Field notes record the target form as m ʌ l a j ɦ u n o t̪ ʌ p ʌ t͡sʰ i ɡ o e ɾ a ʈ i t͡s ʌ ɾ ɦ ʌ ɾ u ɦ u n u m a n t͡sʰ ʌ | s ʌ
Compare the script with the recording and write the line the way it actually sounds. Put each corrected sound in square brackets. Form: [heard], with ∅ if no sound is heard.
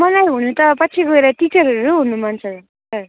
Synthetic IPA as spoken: m ʌ l a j ɦ u n [u] t̪ ʌ p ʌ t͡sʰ i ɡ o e ɾ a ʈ i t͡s ʌ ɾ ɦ ʌ ɾ u ɦ u n u m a n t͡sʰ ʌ | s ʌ

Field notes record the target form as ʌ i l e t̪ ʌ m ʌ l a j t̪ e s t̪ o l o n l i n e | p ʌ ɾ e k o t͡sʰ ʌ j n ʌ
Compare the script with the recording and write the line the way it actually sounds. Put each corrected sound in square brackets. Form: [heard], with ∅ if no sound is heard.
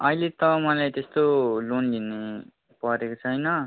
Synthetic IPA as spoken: ʌ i l e t̪ ʌ m ʌ l a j t̪ e s t̪ o l o n l i n e | p ʌ ɾ e k o t͡sʰ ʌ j n ʌ

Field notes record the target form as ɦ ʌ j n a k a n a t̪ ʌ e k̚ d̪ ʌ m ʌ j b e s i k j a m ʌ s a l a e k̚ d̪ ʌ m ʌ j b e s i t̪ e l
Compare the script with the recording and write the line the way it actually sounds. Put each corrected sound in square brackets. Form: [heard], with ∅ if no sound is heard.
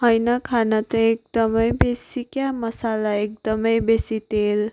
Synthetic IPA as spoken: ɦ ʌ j n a [kʰ] a n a t̪ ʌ e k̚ d̪ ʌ m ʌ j b e s i k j a m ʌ s a l a e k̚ d̪ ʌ m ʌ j b e s i t̪ e l

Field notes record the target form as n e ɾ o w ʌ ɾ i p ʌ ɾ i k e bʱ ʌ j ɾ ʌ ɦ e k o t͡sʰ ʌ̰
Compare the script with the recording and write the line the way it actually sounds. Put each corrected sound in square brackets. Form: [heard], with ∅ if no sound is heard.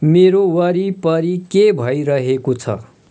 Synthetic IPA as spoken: [m] e ɾ o w ʌ ɾ i p ʌ ɾ i k e bʱ ʌ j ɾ ʌ ɦ e k o t͡sʰ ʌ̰

